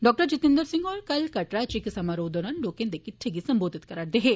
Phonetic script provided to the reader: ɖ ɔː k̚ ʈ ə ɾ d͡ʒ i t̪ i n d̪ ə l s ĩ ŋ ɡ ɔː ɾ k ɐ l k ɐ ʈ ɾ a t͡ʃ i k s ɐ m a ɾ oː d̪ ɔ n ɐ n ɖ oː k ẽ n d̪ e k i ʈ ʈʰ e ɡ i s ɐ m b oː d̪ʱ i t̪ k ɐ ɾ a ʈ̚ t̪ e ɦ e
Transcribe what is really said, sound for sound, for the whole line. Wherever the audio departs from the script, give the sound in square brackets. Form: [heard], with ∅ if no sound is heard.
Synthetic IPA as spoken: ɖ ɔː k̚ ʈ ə ɾ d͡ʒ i t̪ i n d̪ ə [ɾ] s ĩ ŋ ɡ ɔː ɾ k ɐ l k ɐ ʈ ɾ a t͡ʃ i k s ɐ m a ɾ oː d̪ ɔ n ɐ n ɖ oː k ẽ n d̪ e k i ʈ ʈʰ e ɡ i s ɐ m b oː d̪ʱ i t̪ k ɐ ɾ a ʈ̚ [d̪] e ɦ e